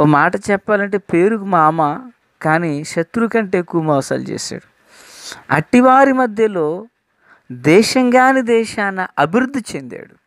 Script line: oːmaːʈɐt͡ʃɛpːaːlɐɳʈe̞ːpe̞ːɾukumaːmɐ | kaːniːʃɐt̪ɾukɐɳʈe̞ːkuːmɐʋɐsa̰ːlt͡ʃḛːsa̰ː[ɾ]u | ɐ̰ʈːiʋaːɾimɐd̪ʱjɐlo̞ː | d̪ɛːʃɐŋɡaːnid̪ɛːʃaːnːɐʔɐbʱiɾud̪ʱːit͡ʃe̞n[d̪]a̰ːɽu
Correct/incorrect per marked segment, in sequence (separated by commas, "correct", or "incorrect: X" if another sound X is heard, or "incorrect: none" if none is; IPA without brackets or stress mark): incorrect: ɽ, correct